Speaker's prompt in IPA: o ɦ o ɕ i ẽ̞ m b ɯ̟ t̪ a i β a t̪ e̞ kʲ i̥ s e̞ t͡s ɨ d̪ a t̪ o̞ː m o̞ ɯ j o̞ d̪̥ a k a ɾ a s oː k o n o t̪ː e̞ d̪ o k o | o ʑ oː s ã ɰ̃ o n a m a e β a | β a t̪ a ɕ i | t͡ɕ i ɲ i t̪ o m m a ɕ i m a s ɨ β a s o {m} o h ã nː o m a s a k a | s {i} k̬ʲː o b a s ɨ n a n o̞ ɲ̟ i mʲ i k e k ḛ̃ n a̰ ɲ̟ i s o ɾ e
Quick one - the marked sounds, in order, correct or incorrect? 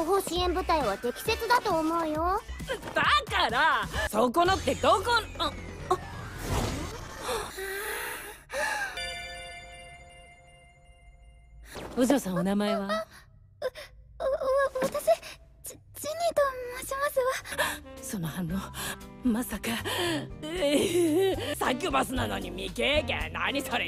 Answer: incorrect: n, incorrect: a

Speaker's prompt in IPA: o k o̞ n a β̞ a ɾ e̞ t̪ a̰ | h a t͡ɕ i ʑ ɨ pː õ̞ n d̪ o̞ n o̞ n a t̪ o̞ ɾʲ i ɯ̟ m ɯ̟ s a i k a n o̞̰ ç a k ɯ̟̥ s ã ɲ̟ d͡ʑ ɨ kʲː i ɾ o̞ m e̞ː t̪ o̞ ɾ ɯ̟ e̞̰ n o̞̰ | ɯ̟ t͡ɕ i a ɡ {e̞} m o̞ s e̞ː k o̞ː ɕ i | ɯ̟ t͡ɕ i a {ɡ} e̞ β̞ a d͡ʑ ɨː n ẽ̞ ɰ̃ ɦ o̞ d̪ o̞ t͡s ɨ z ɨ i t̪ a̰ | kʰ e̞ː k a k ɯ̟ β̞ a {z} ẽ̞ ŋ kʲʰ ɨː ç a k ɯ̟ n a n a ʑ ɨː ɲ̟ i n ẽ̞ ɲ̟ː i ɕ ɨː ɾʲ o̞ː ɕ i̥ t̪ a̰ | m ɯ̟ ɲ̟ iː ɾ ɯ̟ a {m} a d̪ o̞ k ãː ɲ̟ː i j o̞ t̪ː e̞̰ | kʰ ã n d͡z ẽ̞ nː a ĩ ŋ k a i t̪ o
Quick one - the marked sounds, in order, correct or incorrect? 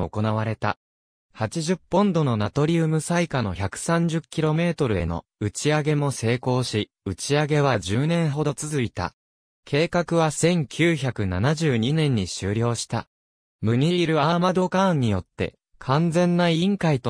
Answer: correct, correct, incorrect: s, correct

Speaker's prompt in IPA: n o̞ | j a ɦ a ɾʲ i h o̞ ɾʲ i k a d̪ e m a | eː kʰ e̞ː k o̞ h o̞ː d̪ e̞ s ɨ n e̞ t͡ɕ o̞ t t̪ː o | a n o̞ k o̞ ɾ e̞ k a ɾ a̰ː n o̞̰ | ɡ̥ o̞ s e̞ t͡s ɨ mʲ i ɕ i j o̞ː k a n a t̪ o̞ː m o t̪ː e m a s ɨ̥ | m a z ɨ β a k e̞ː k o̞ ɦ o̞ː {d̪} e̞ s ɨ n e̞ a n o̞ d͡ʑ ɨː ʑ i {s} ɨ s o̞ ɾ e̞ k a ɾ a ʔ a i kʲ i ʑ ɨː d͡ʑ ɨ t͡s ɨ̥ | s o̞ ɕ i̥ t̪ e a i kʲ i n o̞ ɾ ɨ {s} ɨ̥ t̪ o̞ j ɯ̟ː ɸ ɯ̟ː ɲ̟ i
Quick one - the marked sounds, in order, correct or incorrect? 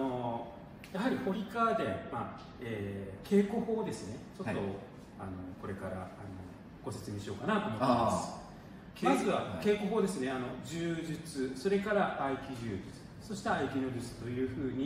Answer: correct, incorrect: t͡s, incorrect: t͡s

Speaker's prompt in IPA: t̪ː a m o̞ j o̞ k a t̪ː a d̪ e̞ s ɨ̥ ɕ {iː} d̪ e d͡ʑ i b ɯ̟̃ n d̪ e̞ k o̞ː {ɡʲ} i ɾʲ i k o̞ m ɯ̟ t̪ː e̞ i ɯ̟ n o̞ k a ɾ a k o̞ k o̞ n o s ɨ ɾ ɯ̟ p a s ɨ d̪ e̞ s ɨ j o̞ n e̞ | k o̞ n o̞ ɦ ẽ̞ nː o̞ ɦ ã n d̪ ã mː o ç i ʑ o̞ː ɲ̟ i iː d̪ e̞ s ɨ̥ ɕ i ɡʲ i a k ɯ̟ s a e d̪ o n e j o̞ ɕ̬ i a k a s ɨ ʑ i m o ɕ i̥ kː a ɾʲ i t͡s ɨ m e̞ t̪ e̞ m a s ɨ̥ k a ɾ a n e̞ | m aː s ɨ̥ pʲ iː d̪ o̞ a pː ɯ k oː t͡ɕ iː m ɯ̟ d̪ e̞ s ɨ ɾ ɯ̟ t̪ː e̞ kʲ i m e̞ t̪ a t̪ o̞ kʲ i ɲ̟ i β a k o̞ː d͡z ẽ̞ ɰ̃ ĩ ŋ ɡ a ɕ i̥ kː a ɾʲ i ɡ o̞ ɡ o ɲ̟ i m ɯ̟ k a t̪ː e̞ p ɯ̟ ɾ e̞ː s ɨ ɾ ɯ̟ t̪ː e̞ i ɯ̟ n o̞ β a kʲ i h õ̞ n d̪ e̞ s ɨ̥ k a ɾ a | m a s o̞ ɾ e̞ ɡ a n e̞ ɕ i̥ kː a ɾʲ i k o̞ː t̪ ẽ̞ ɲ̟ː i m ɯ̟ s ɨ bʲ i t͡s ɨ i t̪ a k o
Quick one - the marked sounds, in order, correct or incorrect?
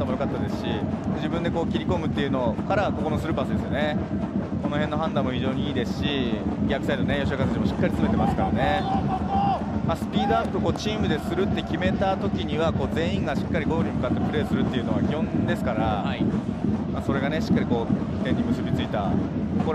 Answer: incorrect: i, incorrect: kʲ

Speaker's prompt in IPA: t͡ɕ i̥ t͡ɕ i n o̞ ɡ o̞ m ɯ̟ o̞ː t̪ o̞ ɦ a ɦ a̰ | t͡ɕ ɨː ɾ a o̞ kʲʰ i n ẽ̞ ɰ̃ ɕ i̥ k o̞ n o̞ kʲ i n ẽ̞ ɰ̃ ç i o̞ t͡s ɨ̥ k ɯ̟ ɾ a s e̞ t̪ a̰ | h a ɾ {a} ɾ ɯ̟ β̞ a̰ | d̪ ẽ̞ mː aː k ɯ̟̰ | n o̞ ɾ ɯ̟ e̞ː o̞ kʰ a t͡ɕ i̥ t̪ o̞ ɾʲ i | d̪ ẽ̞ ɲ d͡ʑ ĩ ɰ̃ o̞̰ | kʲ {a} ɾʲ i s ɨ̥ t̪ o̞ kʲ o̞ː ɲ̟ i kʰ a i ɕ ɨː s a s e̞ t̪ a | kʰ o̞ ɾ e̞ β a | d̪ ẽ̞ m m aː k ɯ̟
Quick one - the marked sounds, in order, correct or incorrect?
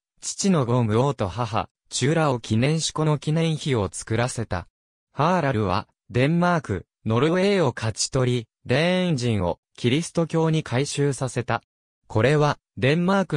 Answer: correct, incorrect: i

